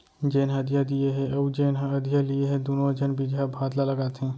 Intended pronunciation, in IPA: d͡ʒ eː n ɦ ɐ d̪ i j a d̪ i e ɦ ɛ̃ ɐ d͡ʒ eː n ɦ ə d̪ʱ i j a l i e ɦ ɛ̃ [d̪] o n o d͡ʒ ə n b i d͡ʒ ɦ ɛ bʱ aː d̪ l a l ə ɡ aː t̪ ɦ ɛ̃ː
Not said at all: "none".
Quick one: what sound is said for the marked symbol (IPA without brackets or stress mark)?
d̪